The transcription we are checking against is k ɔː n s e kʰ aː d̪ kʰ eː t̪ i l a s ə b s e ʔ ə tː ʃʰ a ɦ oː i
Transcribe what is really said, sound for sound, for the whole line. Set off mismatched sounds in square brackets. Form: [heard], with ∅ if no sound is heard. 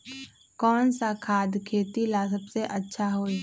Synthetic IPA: k ɔː n s [a] kʰ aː d̪ kʰ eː t̪ i l a s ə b s e ʔ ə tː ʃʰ a ɦ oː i